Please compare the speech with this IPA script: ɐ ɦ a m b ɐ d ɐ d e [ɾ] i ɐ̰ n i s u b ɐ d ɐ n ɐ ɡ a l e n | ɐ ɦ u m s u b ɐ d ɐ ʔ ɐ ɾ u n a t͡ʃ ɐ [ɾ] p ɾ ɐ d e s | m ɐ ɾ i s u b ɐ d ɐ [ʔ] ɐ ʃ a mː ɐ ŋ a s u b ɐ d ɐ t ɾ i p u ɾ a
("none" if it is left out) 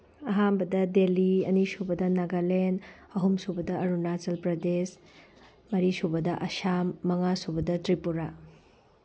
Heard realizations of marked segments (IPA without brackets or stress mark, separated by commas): l, l, ʔ